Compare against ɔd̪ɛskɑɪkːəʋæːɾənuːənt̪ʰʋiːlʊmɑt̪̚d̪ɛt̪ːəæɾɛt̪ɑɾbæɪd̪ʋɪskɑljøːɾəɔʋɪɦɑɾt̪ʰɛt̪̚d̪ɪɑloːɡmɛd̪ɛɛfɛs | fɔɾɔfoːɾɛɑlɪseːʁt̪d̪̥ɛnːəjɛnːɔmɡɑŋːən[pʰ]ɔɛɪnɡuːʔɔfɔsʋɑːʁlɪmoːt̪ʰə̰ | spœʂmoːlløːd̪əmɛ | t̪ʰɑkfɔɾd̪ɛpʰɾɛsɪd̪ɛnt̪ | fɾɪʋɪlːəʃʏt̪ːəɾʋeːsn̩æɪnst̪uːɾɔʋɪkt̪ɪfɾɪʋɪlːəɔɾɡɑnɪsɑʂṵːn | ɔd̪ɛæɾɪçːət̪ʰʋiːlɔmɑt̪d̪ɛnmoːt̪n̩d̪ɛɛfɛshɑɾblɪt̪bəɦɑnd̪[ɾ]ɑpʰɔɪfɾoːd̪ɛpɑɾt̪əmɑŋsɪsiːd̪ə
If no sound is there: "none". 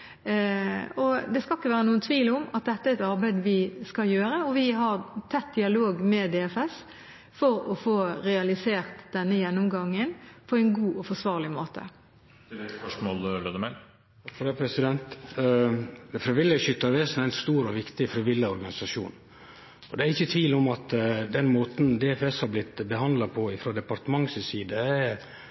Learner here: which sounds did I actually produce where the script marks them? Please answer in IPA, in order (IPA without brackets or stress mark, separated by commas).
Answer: pʰ, l